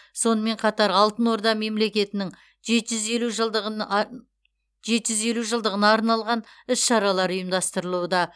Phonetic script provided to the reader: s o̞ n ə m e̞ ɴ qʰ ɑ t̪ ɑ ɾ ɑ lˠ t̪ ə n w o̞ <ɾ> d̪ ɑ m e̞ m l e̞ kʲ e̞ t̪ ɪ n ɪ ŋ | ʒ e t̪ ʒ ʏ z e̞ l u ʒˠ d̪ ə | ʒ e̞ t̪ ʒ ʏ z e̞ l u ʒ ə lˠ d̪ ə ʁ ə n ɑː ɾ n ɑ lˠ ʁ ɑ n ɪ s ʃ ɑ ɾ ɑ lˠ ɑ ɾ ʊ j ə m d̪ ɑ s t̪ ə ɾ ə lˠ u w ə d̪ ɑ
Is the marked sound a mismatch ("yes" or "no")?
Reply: no